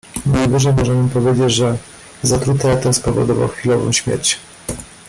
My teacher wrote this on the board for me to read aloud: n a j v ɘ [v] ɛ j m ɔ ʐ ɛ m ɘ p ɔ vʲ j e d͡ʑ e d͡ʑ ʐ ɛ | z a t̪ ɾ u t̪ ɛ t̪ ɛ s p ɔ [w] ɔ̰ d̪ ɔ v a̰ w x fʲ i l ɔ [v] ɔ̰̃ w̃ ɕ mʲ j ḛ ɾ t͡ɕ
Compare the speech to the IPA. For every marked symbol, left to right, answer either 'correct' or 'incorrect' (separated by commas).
incorrect, incorrect, correct